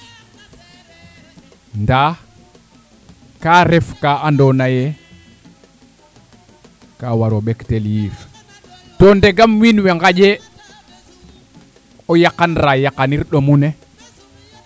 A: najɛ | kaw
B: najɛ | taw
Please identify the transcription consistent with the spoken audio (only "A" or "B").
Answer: A